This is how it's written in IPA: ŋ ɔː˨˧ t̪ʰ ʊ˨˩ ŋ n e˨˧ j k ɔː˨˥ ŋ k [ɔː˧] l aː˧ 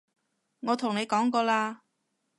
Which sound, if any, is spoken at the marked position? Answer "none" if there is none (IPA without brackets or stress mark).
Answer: ɔː˧